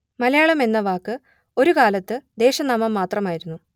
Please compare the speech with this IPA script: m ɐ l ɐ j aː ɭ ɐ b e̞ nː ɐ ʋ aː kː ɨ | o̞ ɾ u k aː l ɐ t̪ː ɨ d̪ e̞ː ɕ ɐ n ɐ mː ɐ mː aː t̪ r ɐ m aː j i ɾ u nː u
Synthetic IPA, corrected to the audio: m ɐ l ɐ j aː ɭ ɐ m e̞ nː ɐ ʋ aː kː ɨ | o̞ ɾ u k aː l ɐ t̪ː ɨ d̪ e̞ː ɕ ɐ n ɐ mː ɐ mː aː t̪ r ɐ m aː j i ɾ u nː u